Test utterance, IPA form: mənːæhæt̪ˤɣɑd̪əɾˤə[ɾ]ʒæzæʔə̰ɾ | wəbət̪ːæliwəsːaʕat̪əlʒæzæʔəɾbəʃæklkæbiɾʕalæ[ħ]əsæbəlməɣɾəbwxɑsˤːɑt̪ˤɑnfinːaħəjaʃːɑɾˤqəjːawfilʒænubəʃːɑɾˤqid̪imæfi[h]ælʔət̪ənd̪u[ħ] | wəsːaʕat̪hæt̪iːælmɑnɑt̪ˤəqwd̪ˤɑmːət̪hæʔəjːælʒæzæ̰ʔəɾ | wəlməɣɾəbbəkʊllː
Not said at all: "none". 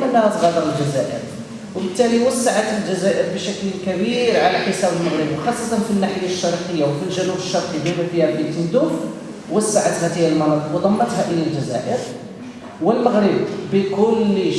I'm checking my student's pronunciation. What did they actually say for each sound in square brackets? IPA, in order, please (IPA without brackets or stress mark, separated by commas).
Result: l, ħ, h, f